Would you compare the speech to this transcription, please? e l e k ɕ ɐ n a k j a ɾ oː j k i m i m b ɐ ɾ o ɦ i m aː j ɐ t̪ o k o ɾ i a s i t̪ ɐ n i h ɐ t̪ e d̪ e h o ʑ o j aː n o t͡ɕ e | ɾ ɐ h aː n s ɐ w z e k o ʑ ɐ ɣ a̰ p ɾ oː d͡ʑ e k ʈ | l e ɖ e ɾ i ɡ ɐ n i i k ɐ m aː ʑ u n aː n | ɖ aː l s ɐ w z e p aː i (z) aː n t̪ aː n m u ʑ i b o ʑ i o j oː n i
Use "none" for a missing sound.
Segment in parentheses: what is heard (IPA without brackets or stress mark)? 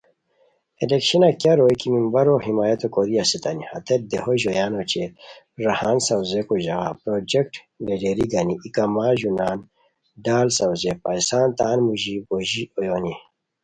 s